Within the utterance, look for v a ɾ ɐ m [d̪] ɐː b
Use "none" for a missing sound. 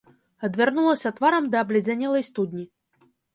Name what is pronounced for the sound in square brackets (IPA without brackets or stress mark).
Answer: d̪